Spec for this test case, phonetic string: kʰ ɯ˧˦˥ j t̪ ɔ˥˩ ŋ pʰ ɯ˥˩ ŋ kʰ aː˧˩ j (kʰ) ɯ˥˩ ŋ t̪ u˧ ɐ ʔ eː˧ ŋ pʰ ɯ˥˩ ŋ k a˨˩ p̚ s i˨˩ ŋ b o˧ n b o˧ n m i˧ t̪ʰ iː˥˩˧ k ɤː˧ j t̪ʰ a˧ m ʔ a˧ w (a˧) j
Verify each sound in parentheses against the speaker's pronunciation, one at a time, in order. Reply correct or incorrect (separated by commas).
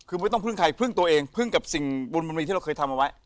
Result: incorrect, incorrect